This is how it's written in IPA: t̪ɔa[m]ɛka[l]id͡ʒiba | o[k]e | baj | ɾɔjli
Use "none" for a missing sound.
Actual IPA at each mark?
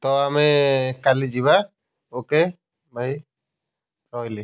m, l, k

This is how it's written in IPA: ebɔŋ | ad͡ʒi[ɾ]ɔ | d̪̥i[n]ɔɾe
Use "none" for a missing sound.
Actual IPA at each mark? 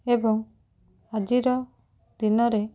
ɾ, n

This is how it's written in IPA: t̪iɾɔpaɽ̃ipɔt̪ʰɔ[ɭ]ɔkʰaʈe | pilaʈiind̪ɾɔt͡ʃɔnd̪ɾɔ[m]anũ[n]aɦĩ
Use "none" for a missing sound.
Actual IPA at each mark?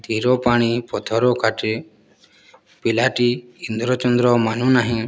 ɾ, m, n

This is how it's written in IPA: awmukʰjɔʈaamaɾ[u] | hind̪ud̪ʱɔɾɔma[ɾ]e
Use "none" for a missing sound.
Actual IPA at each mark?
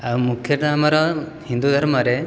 ɔ, ɾ

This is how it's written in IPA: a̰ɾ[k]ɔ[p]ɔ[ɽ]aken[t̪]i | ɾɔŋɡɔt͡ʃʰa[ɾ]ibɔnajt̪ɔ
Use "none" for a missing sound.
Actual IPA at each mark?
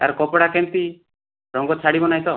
k, p, ɽ, t̪, ɽ

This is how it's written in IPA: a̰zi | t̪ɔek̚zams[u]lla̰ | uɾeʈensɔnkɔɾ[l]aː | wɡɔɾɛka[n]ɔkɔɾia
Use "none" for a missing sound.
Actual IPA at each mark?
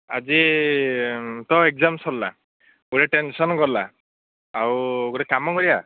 ɔ, l, m

